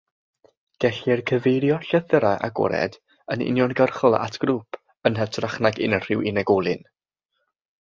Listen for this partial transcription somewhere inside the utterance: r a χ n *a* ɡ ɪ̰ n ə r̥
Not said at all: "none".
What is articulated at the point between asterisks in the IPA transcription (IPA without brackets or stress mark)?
a